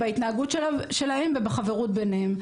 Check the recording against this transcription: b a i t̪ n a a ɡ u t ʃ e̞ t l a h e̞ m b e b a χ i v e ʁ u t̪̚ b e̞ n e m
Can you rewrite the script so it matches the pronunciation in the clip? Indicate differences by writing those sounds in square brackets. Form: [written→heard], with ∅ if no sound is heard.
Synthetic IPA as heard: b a i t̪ n a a ɡ u t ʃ e̞ [t→∅] l a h e̞ m [b→v] e b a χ [i→a] v e ʁ u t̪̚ b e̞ n e m